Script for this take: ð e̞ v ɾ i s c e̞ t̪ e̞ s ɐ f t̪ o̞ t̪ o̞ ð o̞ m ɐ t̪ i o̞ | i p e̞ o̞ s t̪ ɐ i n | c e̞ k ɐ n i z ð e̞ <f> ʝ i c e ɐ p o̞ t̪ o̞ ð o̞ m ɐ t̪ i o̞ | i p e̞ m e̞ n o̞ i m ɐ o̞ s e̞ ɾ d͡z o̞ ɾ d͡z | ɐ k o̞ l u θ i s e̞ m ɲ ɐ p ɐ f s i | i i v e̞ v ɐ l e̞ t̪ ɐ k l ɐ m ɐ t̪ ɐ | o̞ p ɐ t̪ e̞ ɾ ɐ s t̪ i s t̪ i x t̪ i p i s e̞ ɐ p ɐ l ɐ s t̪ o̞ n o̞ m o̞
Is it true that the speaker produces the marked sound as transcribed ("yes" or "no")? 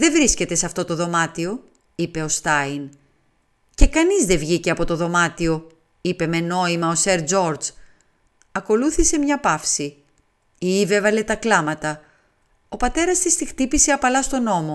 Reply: no